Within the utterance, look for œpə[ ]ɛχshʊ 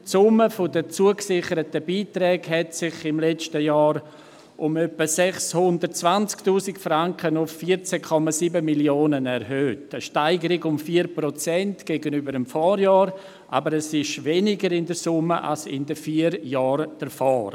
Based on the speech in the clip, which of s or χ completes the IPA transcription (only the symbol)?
s